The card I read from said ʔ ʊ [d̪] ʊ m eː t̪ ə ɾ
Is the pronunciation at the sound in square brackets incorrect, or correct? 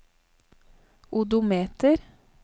correct